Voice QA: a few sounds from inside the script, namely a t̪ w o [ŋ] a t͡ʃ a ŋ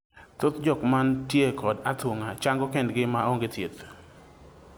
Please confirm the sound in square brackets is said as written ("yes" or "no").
yes